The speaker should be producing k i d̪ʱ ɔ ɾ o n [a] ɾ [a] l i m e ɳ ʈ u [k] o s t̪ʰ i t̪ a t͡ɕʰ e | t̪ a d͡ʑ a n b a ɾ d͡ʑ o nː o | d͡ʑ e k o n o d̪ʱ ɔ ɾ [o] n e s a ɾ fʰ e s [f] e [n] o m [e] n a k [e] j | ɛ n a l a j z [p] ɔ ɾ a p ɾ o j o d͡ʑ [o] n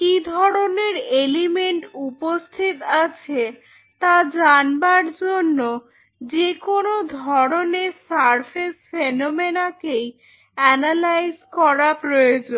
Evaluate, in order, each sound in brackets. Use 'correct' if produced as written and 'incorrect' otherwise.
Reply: incorrect, incorrect, incorrect, correct, correct, correct, correct, correct, incorrect, correct

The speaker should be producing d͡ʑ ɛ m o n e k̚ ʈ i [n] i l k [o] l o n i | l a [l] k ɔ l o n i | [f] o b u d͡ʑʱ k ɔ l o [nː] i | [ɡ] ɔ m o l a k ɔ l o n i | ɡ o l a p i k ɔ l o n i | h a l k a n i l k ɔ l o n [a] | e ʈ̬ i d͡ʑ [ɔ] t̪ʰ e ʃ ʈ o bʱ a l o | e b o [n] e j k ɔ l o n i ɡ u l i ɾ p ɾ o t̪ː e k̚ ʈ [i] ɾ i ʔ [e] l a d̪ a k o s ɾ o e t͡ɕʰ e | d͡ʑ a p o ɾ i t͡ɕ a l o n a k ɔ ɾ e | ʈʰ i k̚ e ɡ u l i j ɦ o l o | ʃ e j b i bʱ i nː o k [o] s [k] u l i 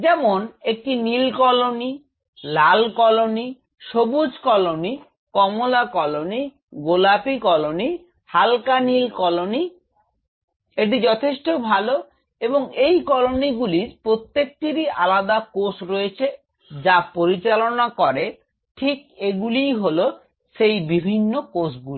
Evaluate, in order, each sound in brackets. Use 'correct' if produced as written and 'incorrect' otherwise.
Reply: correct, incorrect, correct, incorrect, incorrect, incorrect, incorrect, correct, incorrect, correct, incorrect, correct, incorrect

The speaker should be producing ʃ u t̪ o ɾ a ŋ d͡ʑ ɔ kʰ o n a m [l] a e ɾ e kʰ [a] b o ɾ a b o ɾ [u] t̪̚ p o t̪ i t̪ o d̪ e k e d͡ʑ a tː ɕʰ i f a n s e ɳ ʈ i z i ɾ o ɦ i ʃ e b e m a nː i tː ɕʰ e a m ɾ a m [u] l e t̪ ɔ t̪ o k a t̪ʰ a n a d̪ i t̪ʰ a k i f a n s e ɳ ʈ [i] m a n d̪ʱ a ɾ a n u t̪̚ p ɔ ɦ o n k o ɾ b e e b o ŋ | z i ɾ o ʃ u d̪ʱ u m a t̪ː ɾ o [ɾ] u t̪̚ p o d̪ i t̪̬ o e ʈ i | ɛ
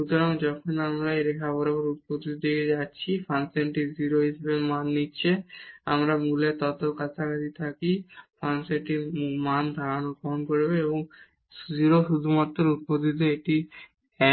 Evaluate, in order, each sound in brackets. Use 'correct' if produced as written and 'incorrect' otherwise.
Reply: incorrect, correct, correct, correct, correct, correct

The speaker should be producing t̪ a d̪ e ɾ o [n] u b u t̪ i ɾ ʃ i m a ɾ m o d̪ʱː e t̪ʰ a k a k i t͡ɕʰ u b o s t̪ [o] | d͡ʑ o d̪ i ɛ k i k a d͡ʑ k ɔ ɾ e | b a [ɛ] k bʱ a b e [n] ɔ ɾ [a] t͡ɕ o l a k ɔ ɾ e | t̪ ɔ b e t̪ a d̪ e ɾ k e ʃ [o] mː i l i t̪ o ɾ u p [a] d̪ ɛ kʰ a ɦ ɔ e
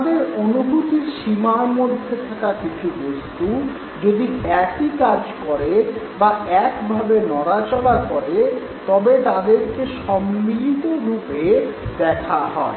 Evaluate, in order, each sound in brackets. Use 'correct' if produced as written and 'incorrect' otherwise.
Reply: correct, incorrect, correct, correct, correct, incorrect, incorrect

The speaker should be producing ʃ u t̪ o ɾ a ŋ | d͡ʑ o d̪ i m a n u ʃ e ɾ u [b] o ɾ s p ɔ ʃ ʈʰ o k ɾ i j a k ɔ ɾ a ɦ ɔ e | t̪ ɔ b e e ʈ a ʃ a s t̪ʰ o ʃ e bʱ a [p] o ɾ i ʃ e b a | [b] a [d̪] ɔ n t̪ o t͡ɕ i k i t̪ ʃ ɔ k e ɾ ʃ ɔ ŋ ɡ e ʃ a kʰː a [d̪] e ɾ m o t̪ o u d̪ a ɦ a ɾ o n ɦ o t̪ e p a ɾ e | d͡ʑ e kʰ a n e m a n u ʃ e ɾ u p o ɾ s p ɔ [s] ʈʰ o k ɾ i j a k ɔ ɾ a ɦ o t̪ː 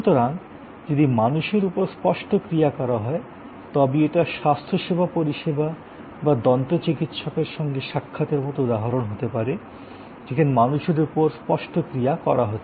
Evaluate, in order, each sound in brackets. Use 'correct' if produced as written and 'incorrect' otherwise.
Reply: incorrect, correct, correct, correct, incorrect, incorrect

